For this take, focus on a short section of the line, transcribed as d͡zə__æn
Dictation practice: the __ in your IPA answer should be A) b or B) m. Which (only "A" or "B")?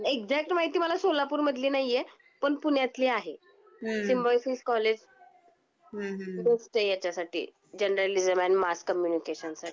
B